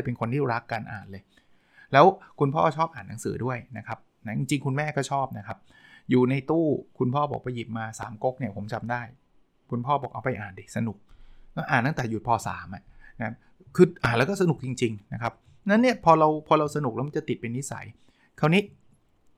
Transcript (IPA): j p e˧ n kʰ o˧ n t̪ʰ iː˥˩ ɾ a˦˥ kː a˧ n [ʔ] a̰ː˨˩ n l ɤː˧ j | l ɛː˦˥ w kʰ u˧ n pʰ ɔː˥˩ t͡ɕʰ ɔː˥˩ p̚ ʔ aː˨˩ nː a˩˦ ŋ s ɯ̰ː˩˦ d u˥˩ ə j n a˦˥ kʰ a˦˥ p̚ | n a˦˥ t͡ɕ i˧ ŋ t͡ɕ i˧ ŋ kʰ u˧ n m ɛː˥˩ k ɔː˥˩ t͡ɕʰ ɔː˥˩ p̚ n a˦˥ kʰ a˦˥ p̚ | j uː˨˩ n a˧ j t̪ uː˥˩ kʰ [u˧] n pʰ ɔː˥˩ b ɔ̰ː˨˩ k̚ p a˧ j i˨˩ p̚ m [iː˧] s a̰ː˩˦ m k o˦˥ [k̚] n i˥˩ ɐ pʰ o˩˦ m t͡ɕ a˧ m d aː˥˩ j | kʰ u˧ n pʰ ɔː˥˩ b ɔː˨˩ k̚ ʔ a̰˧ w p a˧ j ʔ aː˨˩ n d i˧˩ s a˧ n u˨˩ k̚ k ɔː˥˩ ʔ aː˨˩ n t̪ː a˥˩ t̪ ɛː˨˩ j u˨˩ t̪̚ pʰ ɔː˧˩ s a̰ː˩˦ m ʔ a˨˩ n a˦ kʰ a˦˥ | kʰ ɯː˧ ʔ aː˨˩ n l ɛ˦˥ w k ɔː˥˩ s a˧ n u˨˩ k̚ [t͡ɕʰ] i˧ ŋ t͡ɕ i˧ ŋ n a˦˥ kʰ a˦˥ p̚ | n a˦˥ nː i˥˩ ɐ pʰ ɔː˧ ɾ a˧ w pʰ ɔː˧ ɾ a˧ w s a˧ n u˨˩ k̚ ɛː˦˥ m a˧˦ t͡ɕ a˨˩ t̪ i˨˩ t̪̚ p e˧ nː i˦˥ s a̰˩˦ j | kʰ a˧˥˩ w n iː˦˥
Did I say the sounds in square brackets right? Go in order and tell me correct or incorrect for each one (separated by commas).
correct, correct, incorrect, correct, incorrect